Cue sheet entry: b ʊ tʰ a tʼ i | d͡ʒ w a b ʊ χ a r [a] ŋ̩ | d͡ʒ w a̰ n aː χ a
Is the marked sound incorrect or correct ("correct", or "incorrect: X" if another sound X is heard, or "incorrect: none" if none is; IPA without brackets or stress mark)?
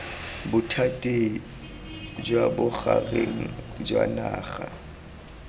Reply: incorrect: e